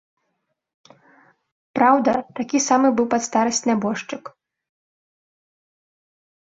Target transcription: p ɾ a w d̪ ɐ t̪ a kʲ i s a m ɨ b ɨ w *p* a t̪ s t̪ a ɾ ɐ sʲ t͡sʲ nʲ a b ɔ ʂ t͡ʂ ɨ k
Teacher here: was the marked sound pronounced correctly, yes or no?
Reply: yes